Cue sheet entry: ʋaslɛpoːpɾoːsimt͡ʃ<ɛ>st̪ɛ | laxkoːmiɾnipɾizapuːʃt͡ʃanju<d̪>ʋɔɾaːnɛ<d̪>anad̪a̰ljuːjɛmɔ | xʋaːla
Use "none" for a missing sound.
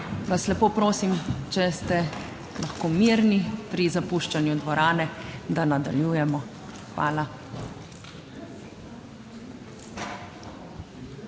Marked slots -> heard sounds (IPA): ɛ, d̪, d̪

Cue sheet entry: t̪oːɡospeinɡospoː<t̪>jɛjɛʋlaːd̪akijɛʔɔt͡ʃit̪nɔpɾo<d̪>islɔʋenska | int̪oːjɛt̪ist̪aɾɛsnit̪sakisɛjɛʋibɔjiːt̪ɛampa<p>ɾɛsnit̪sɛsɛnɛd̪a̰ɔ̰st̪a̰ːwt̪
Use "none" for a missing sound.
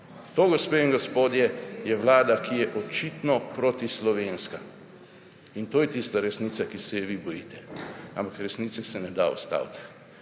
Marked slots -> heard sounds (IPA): d̪, t̪, k

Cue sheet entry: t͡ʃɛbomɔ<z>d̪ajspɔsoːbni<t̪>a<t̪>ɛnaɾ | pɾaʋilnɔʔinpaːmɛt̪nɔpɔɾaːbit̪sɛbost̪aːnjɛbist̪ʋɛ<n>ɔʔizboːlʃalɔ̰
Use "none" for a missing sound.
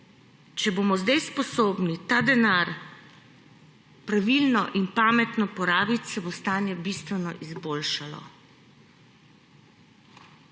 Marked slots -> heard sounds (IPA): z, t̪, d̪, n

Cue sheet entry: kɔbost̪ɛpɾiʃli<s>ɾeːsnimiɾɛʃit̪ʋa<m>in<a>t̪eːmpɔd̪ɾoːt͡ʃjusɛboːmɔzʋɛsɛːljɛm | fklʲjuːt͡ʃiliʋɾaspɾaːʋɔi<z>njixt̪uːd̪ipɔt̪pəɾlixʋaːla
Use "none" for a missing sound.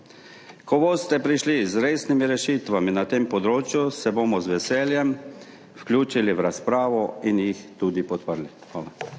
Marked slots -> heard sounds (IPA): z, m, a, none

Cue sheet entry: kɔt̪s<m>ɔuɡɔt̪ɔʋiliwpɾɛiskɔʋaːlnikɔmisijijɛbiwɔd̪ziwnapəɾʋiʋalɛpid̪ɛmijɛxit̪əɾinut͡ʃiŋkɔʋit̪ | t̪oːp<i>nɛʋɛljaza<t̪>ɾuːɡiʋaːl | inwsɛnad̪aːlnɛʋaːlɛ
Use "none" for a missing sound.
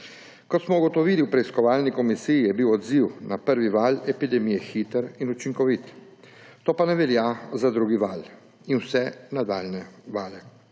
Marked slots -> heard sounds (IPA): m, a, d̪

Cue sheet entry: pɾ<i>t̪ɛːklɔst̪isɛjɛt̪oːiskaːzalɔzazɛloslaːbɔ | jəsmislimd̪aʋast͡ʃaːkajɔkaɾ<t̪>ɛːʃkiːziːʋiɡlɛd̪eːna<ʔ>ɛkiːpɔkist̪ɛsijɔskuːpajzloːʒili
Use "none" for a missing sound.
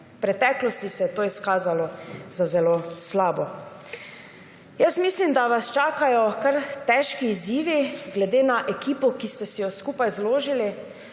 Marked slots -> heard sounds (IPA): ɛ, t̪, ʔ

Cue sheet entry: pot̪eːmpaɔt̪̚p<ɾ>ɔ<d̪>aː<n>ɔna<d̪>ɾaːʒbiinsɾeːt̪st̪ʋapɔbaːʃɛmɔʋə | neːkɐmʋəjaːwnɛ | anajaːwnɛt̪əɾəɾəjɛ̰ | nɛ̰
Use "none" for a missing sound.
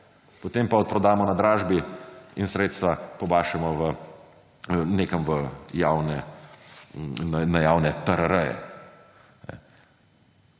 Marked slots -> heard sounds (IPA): ɾ, d̪, m, d̪

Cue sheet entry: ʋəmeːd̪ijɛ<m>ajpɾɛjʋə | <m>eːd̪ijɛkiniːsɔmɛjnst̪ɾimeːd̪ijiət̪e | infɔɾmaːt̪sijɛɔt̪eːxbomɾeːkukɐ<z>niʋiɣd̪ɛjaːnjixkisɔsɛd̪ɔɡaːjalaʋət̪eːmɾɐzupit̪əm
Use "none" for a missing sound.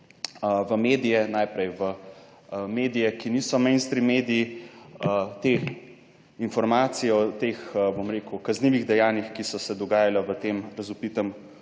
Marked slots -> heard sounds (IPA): n, m, z

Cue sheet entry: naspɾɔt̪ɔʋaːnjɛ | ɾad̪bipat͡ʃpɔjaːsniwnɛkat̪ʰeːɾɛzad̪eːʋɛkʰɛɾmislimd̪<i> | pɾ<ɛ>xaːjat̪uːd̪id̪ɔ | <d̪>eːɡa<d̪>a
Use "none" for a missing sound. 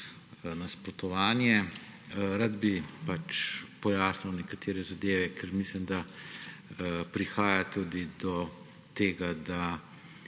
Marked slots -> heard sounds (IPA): a, i, t̪, d̪

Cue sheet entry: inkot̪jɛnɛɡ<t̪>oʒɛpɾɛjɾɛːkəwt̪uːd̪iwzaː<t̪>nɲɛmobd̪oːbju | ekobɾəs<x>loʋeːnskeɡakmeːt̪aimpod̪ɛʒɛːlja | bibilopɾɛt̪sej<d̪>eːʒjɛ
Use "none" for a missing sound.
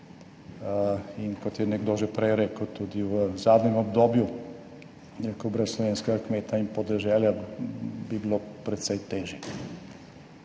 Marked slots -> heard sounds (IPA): d̪, d̪, s, t̪

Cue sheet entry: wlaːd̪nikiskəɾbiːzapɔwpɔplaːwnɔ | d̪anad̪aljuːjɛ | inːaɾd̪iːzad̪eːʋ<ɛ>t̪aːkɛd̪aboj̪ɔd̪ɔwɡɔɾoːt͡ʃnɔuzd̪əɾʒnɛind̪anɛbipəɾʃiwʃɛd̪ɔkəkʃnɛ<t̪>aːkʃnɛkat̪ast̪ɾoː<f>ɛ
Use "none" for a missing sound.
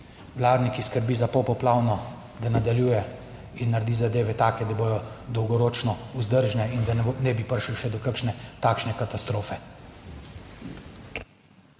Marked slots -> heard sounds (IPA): ɛ, t̪, f

